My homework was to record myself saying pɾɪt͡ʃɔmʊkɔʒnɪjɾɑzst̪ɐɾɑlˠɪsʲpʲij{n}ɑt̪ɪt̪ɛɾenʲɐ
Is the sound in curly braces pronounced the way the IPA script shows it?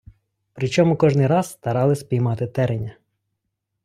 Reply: no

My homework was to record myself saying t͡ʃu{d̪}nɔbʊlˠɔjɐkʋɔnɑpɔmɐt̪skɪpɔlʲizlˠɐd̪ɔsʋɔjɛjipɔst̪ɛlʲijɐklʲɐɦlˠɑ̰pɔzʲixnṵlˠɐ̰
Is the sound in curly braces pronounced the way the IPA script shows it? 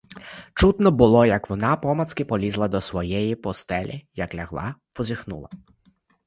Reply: no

